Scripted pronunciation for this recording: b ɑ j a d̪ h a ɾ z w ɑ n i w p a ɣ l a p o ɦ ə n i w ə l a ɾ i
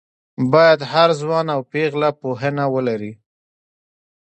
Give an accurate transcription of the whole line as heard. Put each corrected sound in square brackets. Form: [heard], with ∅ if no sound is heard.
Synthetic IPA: b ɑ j a d̪ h a ɾ z w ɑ n [a] w p [e] ɣ l a p o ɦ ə n [a] w ə l a ɾ i

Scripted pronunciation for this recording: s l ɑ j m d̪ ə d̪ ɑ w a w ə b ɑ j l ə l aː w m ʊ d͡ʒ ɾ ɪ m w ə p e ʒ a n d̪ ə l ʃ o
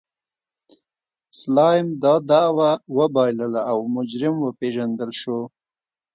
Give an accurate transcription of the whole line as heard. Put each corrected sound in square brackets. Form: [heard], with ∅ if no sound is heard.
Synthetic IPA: s l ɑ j m d̪ [ɑ] d̪ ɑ w a w ə b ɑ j l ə l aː w m ʊ d͡ʒ ɾ ɪ m w ə p e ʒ a n d̪ ə l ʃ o

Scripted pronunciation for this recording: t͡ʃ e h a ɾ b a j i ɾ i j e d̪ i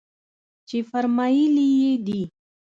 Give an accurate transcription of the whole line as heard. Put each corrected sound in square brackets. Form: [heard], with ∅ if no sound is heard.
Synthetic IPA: t͡ʃ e [f] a ɾ [m] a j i [l] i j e d̪ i

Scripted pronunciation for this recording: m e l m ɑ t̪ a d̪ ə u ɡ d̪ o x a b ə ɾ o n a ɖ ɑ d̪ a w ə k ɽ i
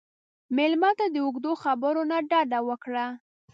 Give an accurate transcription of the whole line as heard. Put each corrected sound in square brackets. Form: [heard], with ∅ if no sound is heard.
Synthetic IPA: m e l m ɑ t̪ a d̪ ə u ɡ d̪ o x a b ə ɾ o n a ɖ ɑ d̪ a w ə k ɽ [a]

